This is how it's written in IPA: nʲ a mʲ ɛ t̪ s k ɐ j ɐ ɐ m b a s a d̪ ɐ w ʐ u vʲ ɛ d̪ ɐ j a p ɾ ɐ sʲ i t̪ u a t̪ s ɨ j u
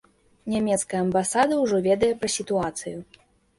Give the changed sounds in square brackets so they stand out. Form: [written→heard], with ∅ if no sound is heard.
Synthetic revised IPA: nʲ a mʲ ɛ t̪ s k ɐ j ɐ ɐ m b a s a d̪ ɐ w ʐ [u→ɔ] vʲ ɛ d̪ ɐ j [a→ɛ] p ɾ ɐ sʲ i t̪ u a t̪ s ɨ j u